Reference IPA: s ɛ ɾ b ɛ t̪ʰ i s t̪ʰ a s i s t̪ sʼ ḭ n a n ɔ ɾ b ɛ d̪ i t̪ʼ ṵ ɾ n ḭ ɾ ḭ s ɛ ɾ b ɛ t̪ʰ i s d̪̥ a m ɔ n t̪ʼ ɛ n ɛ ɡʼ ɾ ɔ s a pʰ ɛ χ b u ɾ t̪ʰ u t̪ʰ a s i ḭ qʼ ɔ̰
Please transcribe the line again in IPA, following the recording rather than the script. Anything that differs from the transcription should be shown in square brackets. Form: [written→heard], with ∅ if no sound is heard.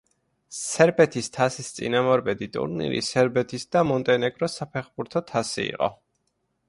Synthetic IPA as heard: s ɛ ɾ b ɛ t̪ʰ i s t̪ʰ a s i s t̪ sʼ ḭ n a [n→m] ɔ ɾ b ɛ d̪ i t̪ʼ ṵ ɾ n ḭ ɾ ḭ s ɛ ɾ b ɛ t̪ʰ i s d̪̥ a m ɔ n t̪ʼ ɛ n ɛ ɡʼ ɾ ɔ s a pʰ ɛ χ b u ɾ t̪ʰ [u→ɔ] t̪ʰ a s i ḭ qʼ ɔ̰